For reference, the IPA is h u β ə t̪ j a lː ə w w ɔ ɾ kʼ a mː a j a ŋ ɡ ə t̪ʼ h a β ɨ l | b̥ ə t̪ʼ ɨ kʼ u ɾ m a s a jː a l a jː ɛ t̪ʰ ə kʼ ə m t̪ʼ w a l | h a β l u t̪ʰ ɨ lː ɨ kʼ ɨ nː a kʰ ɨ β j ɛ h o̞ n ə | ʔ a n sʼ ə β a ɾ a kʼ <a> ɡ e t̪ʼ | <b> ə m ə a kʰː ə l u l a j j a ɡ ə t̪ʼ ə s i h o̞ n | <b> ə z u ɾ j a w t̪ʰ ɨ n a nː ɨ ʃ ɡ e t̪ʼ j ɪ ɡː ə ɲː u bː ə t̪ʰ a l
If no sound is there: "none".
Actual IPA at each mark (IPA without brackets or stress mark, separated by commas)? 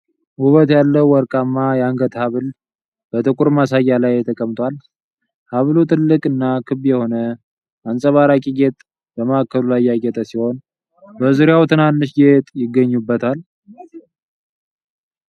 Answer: i, b, b